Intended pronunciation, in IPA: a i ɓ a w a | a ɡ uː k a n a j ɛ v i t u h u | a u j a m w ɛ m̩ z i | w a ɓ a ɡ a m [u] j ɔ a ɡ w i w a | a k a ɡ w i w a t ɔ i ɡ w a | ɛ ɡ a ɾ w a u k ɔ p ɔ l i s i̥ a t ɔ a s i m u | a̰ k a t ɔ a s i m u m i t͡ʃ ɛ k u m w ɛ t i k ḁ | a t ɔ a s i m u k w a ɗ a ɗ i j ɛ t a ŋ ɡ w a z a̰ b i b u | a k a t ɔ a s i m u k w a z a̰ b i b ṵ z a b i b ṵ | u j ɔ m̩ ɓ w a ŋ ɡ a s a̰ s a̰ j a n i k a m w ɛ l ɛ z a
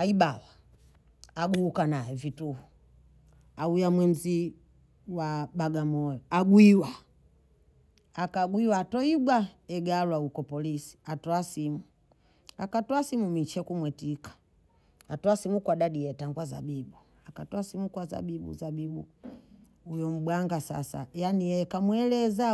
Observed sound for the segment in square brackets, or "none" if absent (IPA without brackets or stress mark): ɔ